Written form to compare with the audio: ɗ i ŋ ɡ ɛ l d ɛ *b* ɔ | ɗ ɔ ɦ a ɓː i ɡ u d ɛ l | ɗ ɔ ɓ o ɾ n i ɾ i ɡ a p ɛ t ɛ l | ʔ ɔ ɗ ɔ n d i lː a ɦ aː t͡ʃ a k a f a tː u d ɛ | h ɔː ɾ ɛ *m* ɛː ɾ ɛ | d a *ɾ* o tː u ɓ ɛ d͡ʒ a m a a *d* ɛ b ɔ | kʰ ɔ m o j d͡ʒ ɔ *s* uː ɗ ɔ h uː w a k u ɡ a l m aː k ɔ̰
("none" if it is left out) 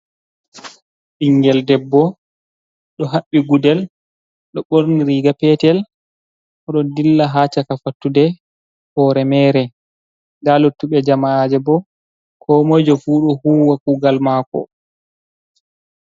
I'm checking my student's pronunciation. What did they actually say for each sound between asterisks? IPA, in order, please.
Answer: bː, m, l, d͡ʒ, f

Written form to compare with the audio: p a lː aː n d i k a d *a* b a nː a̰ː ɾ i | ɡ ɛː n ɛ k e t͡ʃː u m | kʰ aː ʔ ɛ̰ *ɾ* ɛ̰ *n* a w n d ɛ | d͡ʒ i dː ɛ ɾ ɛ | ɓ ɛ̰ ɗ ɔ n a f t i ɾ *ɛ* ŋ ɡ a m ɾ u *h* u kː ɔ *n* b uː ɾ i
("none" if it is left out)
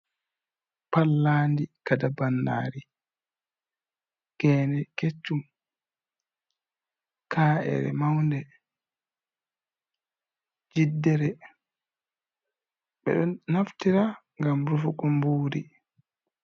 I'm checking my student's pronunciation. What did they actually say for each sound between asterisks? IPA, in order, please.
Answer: a, ɾ, m, a, f, m

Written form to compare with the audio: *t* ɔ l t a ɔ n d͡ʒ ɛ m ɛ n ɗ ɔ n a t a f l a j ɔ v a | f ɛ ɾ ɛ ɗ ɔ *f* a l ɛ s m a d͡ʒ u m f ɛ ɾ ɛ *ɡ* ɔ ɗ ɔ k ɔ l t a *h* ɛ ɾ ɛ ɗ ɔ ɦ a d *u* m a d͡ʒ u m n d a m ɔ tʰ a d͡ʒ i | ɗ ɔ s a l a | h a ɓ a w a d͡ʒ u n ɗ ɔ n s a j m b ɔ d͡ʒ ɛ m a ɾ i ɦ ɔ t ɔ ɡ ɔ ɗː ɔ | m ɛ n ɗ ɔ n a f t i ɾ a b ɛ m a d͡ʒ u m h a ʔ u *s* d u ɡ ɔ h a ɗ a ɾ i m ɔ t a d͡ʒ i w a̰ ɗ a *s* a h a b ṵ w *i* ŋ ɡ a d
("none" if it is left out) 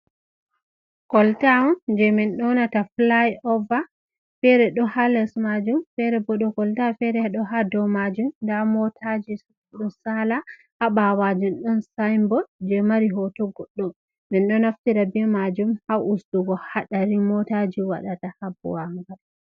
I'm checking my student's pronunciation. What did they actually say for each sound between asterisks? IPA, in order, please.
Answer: k, h, b, f, ɔ, s, t, a

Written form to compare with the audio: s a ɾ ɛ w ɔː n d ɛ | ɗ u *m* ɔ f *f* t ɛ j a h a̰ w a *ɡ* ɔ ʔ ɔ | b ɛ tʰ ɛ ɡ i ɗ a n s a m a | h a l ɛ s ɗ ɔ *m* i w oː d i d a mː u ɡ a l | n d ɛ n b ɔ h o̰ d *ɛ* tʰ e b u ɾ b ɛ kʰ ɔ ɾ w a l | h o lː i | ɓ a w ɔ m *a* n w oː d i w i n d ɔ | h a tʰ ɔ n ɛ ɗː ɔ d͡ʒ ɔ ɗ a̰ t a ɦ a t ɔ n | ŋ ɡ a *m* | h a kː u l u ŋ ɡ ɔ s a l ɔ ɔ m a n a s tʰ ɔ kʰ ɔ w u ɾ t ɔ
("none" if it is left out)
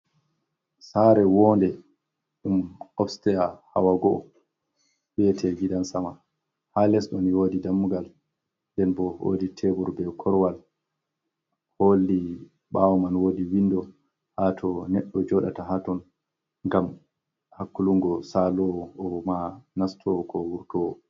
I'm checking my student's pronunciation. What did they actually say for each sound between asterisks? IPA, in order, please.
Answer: m, s, ɡ, n, i, a, m

